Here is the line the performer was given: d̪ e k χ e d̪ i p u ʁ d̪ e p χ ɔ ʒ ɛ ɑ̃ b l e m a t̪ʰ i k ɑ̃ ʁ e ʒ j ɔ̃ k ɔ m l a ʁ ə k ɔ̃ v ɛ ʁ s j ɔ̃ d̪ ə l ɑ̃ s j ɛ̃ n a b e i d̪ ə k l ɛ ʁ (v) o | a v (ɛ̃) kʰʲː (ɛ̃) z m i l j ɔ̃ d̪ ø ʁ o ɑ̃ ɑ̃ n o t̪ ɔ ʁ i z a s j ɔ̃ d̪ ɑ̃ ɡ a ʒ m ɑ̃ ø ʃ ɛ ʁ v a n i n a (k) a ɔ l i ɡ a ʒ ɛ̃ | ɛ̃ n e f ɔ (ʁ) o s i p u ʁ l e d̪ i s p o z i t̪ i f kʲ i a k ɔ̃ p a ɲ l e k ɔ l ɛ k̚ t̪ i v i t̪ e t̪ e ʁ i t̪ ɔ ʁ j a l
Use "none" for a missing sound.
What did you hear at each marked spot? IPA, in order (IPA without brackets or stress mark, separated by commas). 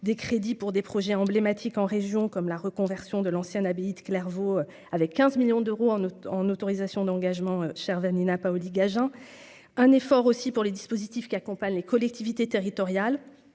v, ɛ, ɛ̃, p, ʁ